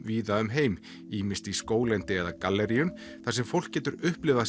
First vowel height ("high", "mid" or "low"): high